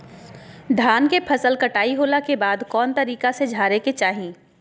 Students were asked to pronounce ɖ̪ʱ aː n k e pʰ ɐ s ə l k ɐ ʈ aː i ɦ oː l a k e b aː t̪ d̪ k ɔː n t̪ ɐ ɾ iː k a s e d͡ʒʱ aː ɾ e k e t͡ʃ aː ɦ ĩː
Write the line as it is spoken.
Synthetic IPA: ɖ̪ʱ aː n k e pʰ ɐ s ə l k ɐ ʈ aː i ɦ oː l a k e b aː d̪ k ɔː n t̪ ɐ ɾ iː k a s e d͡ʒʱ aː ɾ e k e t͡ʃ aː ɦ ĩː